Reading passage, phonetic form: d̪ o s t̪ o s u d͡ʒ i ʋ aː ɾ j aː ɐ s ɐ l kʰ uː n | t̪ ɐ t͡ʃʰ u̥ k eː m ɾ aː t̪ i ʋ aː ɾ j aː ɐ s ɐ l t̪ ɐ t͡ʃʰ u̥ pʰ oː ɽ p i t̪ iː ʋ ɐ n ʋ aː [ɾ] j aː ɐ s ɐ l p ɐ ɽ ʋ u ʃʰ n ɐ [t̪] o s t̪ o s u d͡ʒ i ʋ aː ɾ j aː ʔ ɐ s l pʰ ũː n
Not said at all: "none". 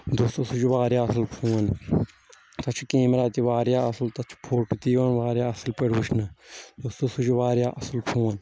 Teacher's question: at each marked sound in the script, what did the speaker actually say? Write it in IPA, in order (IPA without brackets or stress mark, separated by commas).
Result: ɾ, d̪